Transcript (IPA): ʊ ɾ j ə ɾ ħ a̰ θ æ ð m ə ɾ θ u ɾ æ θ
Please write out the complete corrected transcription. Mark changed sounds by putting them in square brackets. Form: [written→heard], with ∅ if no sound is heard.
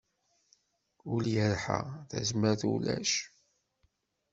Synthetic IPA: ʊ [ɾ→l] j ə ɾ ħ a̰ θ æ [ð→z] m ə ɾ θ u [ɾ→l] æ [θ→ʃ]